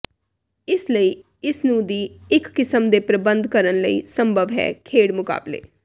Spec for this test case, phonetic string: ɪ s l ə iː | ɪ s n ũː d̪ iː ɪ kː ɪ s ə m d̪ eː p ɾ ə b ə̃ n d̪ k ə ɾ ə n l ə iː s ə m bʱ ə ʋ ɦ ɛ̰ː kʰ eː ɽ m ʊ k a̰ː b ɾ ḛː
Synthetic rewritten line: ɪ s l ə iː | ɪ s n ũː d̪ iː ɪ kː ɪ s ə m d̪ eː p ɾ ə b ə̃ n d̪ k ə ɾ ə n l ə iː s ə m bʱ ə ʋ ɦ ɛ̰ː kʰ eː ɽ m ʊ k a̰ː b l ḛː